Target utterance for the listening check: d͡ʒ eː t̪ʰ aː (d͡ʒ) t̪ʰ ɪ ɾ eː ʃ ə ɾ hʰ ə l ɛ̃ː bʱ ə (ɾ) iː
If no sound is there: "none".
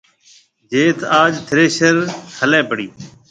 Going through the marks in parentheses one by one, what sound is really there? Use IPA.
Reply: d͡ʒ, ɽ

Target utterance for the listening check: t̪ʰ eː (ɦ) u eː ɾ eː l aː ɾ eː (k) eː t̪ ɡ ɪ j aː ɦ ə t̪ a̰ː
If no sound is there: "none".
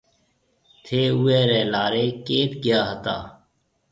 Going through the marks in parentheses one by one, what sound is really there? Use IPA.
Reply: none, k

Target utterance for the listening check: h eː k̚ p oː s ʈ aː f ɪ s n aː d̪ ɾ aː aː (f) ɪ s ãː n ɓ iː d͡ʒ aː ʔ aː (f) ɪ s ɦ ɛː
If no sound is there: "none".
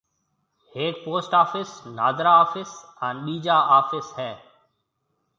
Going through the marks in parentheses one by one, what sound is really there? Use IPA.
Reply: f, f

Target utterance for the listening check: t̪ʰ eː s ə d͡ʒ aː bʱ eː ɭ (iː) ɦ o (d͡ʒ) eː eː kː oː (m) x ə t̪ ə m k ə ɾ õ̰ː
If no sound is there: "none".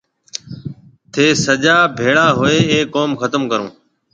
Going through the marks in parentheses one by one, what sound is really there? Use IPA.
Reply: aː, none, m

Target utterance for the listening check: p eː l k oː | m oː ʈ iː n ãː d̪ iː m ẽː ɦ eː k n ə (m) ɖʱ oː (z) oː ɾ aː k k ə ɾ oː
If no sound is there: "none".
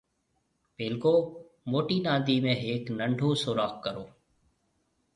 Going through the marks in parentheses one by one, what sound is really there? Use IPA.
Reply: ɳ, s

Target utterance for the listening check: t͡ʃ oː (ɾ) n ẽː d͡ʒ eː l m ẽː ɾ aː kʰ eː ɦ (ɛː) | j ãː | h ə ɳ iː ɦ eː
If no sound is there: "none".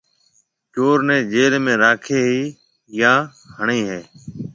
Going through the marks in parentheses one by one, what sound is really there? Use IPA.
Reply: ɾ, iː

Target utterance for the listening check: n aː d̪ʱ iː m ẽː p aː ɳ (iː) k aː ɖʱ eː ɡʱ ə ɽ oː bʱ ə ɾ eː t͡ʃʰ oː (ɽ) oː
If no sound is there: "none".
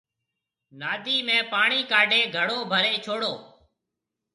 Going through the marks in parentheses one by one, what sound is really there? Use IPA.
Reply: iː, ɽ

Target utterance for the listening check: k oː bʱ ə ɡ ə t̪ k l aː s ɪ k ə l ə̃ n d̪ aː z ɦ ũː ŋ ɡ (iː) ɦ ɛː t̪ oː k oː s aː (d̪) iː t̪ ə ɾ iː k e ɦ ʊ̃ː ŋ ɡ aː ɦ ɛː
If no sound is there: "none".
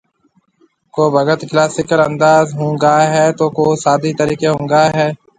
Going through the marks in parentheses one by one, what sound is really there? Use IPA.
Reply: aː, d̪

